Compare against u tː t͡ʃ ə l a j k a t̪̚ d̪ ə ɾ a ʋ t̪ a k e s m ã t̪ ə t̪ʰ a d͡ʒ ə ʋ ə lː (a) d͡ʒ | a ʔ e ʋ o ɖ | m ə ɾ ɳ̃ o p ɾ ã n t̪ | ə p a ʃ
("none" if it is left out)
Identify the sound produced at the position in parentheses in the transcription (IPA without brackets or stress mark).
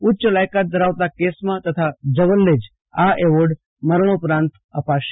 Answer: e